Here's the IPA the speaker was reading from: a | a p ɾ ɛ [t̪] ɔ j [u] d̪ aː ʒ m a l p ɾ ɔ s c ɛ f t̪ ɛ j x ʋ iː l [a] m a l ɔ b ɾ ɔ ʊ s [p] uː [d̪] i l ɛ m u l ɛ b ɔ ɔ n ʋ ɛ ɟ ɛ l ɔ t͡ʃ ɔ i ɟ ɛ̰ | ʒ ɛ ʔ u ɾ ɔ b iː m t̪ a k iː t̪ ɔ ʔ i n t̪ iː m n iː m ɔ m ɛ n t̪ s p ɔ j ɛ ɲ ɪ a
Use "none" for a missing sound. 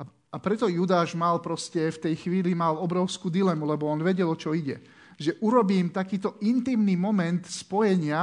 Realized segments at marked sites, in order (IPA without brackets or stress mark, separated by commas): t̪, u, i, k, d̪